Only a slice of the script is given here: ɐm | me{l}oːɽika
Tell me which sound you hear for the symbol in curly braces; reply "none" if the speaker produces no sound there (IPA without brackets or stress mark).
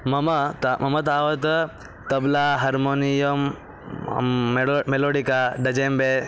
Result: l